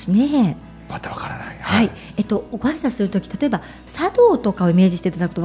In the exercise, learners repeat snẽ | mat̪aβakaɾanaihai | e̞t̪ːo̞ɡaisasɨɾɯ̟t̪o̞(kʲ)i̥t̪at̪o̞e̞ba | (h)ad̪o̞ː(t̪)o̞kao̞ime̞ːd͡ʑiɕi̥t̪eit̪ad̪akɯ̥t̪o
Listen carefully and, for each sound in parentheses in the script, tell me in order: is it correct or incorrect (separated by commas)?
correct, incorrect, correct